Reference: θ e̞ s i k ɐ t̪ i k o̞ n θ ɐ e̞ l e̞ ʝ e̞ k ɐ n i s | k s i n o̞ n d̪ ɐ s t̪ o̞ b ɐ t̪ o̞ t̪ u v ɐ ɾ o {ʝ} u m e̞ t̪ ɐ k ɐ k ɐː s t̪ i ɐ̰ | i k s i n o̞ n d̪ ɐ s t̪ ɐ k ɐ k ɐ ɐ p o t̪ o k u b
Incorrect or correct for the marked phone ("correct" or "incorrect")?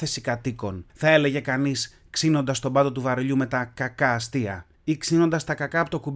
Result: incorrect